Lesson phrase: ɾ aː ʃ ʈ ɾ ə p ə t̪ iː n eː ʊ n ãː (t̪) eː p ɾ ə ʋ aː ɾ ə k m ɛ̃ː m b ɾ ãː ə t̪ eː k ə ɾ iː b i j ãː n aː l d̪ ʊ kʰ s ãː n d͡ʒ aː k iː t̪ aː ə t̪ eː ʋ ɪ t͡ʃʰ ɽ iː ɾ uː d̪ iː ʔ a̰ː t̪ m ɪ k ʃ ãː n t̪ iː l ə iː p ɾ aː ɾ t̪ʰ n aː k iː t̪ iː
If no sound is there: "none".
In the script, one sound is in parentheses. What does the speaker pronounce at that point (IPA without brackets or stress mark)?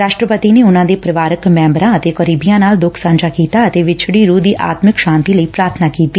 d̪